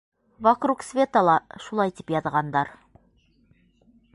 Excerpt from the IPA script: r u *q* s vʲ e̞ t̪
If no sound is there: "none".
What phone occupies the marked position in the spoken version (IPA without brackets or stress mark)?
k